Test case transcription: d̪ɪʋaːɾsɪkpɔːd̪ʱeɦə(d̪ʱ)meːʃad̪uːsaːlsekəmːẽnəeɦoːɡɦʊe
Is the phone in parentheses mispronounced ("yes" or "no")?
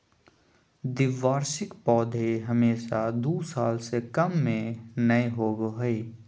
yes